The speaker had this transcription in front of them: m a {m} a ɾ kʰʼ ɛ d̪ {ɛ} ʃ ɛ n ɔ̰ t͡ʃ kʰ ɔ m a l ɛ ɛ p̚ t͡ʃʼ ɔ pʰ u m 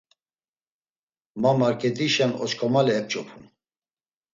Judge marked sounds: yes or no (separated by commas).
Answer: yes, no